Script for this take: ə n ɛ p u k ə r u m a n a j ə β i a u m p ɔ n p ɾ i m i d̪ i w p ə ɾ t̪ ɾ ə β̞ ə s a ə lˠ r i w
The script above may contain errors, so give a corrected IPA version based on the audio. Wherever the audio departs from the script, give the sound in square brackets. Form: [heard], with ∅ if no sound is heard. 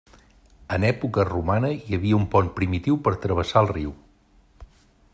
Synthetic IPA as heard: ə n ɛ p u k ə r u m a n [ə] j ə β i [ə] u m p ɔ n p ɾ i m i [t̪] i w p ə ɾ t̪ ɾ ə β̞ ə s a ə lˠ r i w